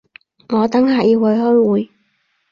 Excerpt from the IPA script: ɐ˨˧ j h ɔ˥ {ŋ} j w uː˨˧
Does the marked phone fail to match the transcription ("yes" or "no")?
yes